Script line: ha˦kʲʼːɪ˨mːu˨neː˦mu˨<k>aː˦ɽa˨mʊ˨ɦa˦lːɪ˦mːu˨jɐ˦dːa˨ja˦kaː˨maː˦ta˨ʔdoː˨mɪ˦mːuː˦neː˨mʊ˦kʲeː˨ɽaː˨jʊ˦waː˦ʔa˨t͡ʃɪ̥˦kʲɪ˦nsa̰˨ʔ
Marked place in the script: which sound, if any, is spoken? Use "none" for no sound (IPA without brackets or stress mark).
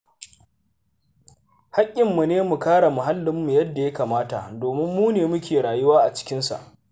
k